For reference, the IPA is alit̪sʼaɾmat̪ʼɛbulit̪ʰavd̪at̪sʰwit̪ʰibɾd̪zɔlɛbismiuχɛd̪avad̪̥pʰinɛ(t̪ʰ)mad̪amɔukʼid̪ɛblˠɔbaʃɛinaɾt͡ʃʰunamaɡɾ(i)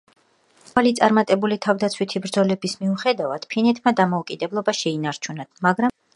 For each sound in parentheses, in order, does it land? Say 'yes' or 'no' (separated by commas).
yes, no